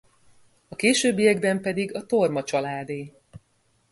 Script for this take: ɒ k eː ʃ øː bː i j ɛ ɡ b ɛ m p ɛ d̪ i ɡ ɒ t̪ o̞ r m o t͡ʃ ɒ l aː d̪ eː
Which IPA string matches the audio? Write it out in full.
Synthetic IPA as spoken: ɒ k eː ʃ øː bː i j ɛ ɡ b ɛ m p ɛ d̪ i ɡ ɒ t̪ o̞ r m ɒ t͡ʃ ɒ l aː d̪ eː